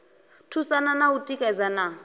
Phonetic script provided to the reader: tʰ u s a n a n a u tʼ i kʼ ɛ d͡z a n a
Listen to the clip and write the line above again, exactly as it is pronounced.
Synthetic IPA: tʰ u s a n a n a u tʼ i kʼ ɛ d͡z a n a